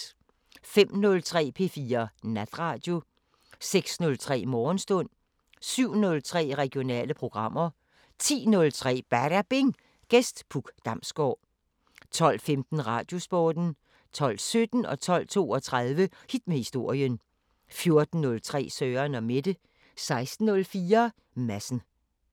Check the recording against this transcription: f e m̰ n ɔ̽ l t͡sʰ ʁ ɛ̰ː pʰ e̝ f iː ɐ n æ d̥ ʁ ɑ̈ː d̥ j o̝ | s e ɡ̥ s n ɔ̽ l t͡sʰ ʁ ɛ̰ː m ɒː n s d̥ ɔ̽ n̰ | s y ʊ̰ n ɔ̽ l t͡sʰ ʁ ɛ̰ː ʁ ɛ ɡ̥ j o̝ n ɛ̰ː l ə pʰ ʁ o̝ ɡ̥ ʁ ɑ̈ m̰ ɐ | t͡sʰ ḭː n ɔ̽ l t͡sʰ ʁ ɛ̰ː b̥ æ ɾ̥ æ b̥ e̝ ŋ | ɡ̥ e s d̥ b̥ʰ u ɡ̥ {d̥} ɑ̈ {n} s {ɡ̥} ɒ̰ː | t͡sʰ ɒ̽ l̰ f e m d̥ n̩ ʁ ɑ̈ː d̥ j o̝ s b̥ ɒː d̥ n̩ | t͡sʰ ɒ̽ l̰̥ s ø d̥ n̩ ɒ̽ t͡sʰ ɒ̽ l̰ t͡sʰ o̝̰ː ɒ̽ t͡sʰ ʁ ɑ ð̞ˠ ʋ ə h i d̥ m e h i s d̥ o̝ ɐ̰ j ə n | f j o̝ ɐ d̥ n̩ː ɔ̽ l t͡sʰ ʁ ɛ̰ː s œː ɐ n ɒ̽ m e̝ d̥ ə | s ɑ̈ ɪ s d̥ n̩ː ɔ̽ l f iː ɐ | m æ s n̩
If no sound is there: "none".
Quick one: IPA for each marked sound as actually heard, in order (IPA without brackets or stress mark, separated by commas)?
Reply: d̥, m, ɡ̥